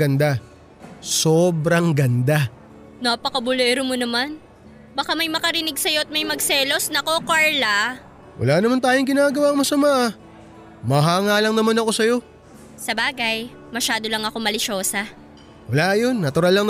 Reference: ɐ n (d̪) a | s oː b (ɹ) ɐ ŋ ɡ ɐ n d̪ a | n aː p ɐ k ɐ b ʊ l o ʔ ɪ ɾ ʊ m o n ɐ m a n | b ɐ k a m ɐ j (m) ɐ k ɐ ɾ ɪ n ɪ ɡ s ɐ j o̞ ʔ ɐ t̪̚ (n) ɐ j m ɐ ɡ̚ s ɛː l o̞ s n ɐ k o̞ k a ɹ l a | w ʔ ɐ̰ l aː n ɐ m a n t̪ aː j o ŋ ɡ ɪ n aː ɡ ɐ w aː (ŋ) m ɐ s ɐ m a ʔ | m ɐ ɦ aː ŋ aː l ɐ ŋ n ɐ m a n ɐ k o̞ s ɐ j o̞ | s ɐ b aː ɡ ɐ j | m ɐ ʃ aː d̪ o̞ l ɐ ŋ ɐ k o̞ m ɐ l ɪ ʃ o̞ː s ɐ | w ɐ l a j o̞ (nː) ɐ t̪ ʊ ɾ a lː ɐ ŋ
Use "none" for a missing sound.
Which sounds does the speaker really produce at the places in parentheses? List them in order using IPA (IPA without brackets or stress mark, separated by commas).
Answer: d̪, ɾ, m, m, ŋ, nː